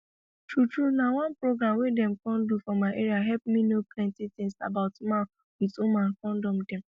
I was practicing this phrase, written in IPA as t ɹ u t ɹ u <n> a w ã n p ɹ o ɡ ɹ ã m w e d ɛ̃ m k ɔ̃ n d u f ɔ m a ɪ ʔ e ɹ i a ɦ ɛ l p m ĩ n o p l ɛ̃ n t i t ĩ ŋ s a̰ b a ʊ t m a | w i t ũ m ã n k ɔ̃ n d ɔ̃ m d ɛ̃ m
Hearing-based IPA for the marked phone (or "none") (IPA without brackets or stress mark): n